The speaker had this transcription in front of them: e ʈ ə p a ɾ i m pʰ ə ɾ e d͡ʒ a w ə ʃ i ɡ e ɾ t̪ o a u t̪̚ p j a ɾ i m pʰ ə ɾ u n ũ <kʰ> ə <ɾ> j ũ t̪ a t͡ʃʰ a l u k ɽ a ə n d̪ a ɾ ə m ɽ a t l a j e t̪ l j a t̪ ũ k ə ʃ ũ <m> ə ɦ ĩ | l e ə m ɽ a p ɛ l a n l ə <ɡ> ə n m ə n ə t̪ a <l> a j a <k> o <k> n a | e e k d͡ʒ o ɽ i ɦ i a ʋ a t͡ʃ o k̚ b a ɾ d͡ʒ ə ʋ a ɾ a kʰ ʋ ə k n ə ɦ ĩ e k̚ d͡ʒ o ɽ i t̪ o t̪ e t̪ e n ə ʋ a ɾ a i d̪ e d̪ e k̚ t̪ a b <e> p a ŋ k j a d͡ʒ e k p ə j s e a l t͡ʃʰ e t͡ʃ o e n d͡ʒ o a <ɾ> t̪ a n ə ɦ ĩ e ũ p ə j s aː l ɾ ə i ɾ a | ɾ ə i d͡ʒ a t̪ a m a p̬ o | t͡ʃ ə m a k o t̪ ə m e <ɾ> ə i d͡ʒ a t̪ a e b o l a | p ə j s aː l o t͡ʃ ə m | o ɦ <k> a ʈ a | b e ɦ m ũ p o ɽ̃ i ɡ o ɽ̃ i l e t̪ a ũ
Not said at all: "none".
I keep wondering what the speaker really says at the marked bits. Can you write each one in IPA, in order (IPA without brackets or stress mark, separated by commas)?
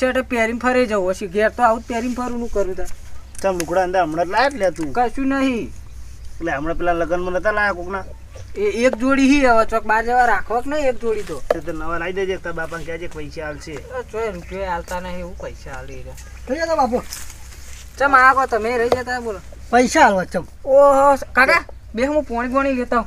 k, ɾ, n, ɡ, l, k, k, a, l, ɾ, k